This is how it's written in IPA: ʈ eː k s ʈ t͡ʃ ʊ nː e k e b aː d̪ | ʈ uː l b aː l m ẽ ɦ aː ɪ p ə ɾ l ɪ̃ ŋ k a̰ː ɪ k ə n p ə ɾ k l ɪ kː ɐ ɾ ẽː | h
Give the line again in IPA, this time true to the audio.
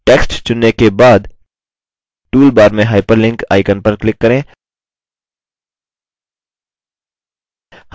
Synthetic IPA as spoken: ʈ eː k s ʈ t͡ʃ ʊ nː e k e b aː d̪ | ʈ uː l b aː ɾ m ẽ ɦ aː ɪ p ə ɾ l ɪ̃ ŋ k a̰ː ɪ k ə n p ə ɾ k l ɪ kː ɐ ɾ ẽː | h